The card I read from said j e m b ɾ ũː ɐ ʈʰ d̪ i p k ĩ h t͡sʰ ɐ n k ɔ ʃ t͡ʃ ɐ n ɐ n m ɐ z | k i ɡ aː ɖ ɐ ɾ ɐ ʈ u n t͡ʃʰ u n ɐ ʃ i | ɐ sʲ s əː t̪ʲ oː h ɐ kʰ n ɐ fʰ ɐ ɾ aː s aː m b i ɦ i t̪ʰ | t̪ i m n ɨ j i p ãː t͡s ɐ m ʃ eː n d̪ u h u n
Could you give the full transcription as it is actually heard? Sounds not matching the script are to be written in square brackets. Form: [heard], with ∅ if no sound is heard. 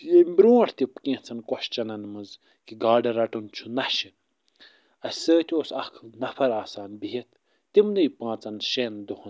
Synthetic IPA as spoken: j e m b ɾ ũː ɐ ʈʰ [t̪] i p k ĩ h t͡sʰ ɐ n k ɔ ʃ t͡ʃ ɐ n ɐ n m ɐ z | k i ɡ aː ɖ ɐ ɾ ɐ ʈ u n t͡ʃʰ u n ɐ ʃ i | ɐ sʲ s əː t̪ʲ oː [s] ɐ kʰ n ɐ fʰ ɐ ɾ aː s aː [n] b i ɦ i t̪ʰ | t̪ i m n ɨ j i p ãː t͡s ɐ [n] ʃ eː n d̪ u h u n